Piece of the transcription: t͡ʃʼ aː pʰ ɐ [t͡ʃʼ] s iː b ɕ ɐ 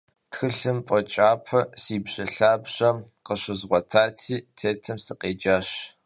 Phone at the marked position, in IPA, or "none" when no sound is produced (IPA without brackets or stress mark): none